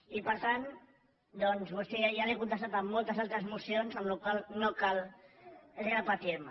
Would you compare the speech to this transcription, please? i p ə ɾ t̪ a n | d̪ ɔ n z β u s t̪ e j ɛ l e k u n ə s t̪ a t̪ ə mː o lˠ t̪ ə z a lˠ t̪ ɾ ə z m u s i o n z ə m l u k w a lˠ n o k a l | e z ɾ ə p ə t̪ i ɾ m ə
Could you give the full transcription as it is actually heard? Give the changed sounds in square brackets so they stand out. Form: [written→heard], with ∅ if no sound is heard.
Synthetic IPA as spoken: i p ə ɾ t̪ a n | d̪ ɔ n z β u s t̪ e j [ɛ→a] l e k u n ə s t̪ a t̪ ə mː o lˠ t̪ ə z a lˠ t̪ ɾ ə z m u s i o n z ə m l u k w a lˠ n o k a l | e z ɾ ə p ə t̪ i ɾ m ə